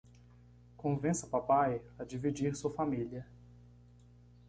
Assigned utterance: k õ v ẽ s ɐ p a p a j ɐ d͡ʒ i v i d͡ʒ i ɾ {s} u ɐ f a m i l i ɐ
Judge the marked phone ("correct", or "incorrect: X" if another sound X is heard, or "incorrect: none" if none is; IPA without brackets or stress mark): correct